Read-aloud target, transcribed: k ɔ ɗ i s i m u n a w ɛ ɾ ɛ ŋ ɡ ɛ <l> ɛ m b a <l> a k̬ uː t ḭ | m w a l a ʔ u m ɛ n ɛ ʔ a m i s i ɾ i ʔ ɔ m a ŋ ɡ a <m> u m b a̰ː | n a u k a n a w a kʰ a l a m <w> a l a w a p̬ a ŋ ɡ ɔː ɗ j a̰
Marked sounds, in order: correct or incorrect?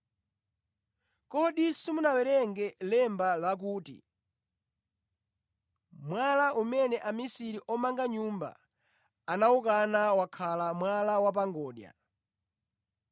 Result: correct, correct, incorrect, correct

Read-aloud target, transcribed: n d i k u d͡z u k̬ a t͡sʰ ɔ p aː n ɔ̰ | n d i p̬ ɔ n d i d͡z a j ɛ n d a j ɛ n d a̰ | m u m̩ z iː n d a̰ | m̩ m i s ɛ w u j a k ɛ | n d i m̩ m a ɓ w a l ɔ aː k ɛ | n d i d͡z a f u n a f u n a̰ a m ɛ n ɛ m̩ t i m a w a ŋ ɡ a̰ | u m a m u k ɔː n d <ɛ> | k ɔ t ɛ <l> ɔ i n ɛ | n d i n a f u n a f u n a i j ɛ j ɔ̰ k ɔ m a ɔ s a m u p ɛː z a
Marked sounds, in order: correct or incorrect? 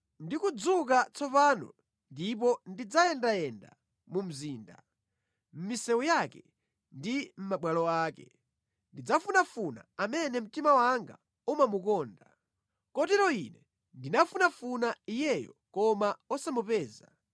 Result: incorrect, incorrect

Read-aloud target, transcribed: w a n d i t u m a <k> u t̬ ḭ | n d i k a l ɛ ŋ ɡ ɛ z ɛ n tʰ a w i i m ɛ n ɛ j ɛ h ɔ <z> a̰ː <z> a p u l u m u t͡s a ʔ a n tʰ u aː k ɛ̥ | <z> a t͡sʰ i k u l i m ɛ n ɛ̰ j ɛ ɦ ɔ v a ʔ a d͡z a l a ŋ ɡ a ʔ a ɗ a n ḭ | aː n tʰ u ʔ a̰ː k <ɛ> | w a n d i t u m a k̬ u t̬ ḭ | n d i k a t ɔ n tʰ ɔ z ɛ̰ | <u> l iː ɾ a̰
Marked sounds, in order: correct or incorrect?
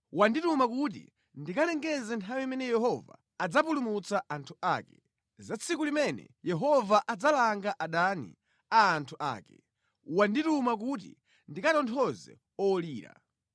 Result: correct, incorrect, incorrect, correct, correct, incorrect

